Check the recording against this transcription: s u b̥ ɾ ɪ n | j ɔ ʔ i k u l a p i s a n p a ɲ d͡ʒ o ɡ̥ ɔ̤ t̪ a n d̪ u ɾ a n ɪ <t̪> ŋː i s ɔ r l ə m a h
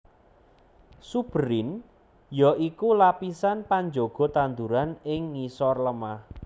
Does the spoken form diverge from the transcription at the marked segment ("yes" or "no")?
yes